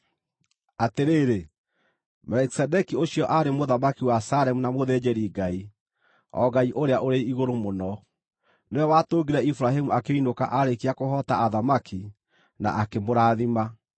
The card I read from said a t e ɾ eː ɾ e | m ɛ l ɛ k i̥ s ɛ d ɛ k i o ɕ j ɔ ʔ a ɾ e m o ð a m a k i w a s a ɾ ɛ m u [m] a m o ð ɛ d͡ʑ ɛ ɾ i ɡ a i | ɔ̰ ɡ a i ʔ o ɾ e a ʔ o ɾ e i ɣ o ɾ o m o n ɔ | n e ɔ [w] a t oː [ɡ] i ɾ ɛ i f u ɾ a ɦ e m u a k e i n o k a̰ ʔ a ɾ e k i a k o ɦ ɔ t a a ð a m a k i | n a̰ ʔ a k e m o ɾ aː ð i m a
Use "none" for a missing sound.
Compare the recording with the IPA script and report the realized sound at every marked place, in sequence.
n, w, ɡ

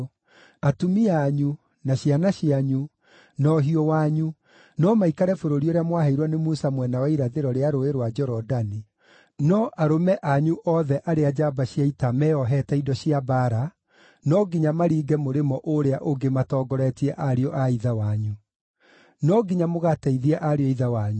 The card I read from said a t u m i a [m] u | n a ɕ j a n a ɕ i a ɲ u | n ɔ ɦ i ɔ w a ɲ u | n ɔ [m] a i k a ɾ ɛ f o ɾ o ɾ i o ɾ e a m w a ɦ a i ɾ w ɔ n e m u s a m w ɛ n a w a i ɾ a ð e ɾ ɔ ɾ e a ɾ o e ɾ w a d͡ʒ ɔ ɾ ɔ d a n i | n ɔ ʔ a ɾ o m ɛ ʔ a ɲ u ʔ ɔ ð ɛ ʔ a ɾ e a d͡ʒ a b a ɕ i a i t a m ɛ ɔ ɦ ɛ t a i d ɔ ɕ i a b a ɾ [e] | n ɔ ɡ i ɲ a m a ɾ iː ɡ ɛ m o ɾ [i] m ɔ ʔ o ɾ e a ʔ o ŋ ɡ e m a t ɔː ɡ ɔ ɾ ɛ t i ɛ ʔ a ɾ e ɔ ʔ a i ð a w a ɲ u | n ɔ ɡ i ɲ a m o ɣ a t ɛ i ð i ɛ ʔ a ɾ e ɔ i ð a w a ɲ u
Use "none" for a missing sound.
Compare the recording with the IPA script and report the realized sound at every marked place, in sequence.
ɲ, m, a, e

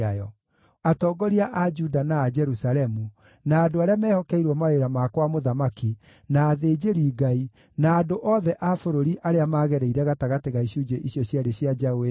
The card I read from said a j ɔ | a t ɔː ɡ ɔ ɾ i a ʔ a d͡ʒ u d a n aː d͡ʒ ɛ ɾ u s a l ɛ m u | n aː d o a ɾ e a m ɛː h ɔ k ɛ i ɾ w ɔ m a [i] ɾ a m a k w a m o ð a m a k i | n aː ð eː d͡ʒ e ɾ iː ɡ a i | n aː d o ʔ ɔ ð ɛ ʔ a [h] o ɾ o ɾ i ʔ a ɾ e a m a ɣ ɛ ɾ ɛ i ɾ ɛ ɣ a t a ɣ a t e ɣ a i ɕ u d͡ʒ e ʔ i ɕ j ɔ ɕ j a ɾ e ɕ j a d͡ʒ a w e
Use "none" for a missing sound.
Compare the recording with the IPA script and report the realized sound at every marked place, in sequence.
e, f

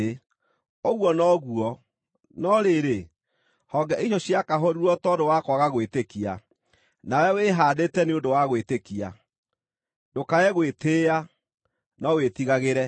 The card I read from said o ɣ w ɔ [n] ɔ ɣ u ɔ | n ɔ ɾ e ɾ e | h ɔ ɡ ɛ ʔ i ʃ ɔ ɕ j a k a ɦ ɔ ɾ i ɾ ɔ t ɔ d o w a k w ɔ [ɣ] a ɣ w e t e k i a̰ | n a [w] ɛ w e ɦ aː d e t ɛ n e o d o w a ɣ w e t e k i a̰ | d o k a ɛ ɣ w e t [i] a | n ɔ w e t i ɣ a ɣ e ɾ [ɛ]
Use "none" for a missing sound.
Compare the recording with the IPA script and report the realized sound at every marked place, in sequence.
n, ɣ, w, e, ɛ

